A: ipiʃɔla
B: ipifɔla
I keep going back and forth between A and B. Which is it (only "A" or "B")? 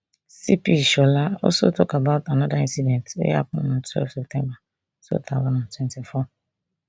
A